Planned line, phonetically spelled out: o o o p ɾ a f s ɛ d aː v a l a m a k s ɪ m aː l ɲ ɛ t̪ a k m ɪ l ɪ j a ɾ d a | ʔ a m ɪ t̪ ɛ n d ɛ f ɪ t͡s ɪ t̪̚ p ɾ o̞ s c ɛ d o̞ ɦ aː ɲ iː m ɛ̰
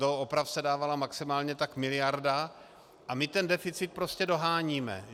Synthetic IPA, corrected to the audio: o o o p ɾ a f s ɛ d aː v a l a m a k s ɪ m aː l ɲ ɛ t̪ a k m ɪ l ɪ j a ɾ d a | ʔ a m ɪ t̪ ɛ n d ɛ f ɪ t͡s ɪ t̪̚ p ɾ o̞ s c ɛ d o̞ ɦ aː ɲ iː m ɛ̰